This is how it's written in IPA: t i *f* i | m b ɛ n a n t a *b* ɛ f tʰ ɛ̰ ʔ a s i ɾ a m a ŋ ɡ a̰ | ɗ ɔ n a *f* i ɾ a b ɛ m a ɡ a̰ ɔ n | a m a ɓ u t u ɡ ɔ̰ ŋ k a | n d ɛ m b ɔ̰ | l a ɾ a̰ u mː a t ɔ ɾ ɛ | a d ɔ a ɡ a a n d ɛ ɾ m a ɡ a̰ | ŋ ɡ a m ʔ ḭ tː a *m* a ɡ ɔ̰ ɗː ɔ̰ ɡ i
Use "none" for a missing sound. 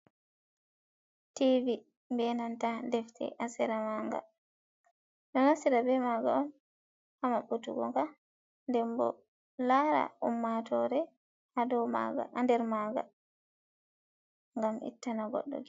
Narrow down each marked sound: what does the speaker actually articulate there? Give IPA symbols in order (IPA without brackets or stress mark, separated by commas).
v, d, s, n